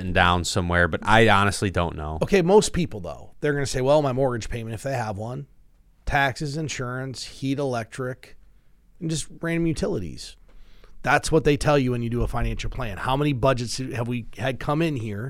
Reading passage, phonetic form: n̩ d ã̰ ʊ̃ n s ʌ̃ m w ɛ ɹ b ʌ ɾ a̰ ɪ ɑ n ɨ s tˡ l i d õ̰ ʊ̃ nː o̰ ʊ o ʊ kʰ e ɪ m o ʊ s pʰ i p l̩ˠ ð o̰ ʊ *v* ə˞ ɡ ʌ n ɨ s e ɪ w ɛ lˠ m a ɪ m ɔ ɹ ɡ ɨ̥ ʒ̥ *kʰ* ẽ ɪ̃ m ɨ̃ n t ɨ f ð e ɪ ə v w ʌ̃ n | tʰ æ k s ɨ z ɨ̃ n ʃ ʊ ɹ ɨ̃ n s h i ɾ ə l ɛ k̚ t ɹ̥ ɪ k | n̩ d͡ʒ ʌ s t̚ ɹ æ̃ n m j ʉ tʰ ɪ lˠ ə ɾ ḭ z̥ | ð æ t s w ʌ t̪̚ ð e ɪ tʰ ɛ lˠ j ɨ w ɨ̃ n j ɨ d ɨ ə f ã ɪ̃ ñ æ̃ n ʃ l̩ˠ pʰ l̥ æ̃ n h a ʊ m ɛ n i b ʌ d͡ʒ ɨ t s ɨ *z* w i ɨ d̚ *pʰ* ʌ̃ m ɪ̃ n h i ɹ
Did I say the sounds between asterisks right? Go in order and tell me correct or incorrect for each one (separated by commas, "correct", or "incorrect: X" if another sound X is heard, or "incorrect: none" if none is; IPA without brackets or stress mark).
incorrect: ð, incorrect: pʰ, incorrect: v, incorrect: kʰ